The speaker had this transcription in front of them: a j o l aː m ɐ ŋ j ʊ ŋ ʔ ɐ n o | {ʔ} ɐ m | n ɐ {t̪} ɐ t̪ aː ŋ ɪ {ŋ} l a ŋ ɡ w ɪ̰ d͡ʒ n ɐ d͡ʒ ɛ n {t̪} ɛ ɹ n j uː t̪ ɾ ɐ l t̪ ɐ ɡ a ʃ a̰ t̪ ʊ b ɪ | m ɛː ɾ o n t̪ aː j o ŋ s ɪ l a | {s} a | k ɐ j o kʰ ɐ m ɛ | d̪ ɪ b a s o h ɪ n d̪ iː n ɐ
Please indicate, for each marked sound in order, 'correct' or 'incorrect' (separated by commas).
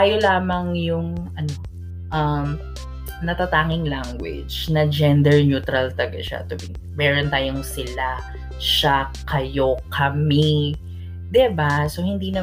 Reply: correct, correct, correct, incorrect, incorrect